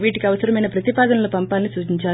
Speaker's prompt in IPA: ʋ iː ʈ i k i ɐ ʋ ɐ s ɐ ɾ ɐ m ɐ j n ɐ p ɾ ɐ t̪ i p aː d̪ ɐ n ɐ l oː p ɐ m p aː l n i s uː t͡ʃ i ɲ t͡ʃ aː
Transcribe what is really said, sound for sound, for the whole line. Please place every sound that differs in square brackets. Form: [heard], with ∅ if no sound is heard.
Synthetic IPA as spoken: ʋ iː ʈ i k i ɐ ʋ ɐ s ɐ ɾ ɐ m ɐ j n ɐ p ɾ ɐ t̪ i p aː d̪ ɐ n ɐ l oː p ɐ m p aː l n i s uː t͡ʃ i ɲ t͡ʃ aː